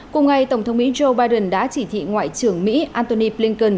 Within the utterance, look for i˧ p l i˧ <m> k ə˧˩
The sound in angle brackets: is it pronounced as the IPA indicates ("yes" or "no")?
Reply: no